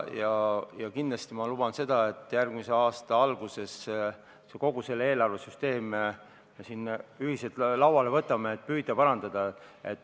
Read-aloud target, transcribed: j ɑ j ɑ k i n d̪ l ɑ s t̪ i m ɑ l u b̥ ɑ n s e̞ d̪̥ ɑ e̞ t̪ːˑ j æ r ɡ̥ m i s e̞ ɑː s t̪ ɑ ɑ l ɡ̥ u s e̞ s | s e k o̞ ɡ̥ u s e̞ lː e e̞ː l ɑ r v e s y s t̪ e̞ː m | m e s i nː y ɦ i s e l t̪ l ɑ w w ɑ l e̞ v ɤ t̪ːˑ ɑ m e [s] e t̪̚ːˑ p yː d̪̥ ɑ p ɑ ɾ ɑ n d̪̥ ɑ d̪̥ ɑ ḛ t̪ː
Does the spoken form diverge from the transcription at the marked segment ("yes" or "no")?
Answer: yes